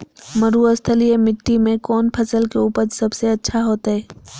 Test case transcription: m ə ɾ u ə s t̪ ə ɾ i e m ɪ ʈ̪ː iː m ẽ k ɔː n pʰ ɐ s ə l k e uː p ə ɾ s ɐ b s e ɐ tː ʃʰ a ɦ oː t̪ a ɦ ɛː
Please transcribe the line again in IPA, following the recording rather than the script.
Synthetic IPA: m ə ɾ u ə s t̪ʰ ə l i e m ɪ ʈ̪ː i m ẽ k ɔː n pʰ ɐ s ə l k e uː p ə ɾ s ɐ b s e ɐ tː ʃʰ a ɦ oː t̪ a ɦ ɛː